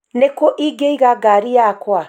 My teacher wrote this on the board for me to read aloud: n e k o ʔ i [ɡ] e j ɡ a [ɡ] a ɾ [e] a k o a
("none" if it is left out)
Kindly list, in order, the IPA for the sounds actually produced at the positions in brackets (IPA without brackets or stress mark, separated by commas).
ɡ, ɡ, i